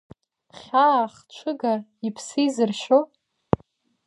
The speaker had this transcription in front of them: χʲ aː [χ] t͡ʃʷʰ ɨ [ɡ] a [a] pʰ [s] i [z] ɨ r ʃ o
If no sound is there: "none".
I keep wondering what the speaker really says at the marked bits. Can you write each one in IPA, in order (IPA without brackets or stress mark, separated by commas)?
χ, ɡ, i, s, z